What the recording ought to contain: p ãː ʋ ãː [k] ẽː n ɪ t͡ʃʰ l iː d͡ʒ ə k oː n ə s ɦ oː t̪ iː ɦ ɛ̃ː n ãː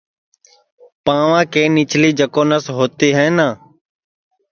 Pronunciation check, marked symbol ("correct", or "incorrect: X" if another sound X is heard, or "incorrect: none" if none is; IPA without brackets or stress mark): correct